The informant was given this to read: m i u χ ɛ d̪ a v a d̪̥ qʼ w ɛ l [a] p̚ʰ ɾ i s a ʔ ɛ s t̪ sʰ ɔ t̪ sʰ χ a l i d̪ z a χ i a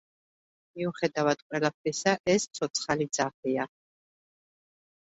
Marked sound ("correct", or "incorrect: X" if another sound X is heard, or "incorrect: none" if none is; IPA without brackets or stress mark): correct